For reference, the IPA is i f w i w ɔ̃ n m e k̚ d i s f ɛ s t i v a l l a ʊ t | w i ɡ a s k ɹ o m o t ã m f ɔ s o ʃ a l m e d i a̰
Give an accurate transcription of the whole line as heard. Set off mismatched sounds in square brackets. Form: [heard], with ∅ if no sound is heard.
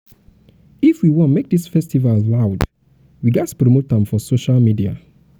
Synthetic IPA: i f w i w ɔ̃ n m e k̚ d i s f ɛ s t i v a l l a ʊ [d] | w i ɡ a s [p] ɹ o m o t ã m f ɔ s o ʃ a l m [i] d i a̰